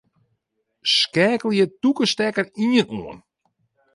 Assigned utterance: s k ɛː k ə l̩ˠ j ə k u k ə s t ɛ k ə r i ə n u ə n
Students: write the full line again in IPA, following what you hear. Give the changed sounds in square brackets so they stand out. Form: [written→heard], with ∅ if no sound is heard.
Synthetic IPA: s k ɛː k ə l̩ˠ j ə [k→t] u k ə s t ɛ k ə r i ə n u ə n